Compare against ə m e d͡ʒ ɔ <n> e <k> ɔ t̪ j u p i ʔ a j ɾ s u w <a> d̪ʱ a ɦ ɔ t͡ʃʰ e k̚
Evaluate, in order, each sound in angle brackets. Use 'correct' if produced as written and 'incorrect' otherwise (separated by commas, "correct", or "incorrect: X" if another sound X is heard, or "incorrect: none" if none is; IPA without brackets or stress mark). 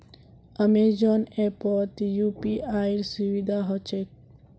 correct, incorrect: p, incorrect: i